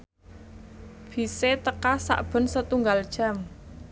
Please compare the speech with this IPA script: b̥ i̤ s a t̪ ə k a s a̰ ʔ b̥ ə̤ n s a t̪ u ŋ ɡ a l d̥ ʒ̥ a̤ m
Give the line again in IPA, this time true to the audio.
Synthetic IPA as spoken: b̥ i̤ s e t̪ ə k a s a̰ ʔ b̥ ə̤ n s ə t̪ u ŋ ɡ a l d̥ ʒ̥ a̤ m